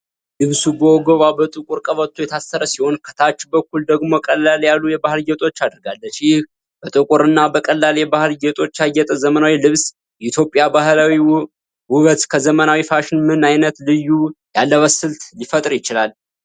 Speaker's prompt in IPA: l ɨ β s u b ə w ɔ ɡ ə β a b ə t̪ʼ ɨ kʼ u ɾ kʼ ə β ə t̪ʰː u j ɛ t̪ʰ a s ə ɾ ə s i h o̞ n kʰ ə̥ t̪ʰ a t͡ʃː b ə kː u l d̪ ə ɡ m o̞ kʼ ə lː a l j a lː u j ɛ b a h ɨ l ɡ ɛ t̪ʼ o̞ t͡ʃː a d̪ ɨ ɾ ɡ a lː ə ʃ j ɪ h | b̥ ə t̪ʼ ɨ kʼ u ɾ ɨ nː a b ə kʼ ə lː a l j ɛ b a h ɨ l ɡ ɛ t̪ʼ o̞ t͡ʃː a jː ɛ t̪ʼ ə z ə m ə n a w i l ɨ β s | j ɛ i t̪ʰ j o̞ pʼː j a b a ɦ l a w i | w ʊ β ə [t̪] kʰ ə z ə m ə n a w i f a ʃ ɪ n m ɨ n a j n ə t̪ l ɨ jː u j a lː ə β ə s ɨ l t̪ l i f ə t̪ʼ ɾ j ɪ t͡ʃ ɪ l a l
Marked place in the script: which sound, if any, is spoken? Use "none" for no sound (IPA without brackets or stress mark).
t̪